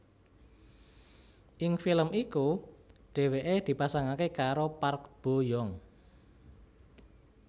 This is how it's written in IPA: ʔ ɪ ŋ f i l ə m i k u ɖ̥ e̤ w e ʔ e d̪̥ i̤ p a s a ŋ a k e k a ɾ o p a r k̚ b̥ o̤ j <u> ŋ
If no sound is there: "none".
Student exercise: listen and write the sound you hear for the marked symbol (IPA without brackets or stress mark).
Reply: ɔ